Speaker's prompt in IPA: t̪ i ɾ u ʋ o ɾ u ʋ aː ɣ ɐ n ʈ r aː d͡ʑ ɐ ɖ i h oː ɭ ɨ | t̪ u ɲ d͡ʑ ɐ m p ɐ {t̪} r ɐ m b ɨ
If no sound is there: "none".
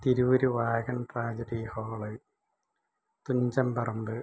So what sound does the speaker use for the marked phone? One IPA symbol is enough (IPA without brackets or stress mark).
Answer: none